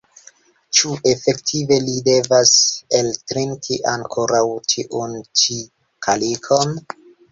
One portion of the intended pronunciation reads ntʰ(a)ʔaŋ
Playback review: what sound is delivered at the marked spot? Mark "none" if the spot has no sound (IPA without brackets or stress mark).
i